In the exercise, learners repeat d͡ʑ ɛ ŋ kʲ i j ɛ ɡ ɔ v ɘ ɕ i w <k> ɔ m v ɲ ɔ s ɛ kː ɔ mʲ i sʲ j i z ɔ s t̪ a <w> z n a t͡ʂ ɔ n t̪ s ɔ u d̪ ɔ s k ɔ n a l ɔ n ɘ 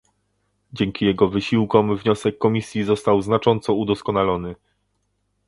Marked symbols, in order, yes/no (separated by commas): yes, yes